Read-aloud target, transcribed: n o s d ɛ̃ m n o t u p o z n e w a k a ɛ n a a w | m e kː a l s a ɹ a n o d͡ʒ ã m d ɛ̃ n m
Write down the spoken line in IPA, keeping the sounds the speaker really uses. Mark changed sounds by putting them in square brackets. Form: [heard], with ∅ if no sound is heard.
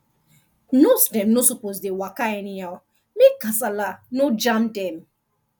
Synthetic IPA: n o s d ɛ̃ m n o [s] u p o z [d] e w a k a ɛ n [i] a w | m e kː a [∅] s a [l] a n o d͡ʒ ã m d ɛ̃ [∅] m